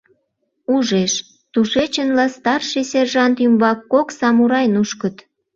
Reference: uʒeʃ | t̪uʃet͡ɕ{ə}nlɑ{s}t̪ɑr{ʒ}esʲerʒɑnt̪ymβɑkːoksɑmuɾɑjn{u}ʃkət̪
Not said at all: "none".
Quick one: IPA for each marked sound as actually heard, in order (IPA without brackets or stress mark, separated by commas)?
ə, s, ʃ, u